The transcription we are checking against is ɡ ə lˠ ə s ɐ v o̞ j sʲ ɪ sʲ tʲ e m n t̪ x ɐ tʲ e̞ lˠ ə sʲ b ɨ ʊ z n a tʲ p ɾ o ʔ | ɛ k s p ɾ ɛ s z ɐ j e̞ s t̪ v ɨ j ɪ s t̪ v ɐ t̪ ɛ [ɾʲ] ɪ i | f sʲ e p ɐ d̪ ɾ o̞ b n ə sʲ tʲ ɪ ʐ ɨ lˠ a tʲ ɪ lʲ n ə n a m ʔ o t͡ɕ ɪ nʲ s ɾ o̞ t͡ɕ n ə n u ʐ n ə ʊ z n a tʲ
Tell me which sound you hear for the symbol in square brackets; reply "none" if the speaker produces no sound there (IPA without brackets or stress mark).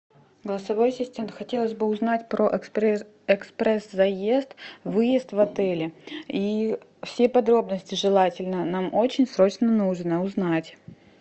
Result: lʲ